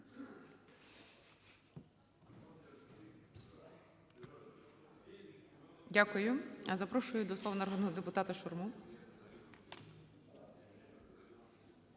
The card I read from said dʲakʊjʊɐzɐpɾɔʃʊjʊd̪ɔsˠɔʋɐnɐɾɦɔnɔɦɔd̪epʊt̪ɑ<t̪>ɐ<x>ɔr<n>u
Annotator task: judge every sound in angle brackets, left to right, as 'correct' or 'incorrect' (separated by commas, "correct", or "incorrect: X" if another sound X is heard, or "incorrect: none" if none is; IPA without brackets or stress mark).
correct, incorrect: ʃ, incorrect: m